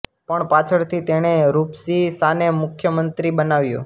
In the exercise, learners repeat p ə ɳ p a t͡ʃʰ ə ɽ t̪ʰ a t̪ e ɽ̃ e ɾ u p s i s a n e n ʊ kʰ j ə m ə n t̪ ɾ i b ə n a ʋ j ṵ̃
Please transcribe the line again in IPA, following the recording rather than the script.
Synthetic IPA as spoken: p ə ɳ p a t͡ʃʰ ə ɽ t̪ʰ i t̪ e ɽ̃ e ɾ u p s i s a n e m ʊ kʰ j ə m ə n t̪ ɾ i b ə n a ʋ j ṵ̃